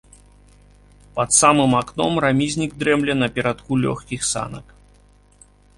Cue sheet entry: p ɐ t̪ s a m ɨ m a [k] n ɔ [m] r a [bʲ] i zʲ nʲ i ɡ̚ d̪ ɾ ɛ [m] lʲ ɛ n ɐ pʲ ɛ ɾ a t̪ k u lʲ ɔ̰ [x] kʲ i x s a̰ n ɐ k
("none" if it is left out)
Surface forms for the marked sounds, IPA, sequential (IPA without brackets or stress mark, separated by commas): k, m, mʲ, m, x